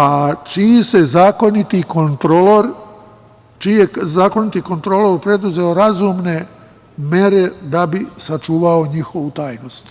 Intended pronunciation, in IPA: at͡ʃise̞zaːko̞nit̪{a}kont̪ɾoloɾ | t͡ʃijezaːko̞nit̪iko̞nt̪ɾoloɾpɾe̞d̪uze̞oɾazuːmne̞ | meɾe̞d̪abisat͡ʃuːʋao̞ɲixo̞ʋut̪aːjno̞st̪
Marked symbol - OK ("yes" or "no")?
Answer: no